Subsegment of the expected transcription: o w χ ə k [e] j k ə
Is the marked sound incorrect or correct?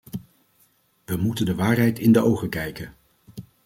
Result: incorrect